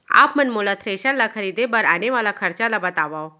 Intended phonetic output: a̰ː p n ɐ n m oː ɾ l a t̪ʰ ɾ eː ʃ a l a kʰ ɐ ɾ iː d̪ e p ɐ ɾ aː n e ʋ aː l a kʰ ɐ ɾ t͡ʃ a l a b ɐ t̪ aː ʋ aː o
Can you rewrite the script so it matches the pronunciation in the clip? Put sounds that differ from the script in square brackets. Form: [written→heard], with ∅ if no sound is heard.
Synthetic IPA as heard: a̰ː p [n→m] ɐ n m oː [ɾ→∅] l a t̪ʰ ɾ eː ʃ a l a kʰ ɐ ɾ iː d̪ e [p→b] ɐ ɾ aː n e ʋ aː l a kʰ ɐ ɾ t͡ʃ a l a b ɐ t̪ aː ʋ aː o